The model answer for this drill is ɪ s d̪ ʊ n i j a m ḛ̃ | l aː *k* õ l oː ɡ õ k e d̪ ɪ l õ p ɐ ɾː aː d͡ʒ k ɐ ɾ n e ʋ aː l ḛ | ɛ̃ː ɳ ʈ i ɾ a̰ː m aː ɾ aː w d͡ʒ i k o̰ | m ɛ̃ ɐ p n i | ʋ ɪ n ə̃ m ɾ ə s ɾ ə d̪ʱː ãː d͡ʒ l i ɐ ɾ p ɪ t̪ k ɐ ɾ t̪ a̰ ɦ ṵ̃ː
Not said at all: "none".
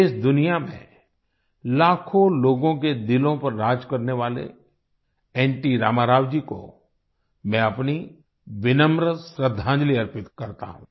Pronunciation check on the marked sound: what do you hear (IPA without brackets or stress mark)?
kʰ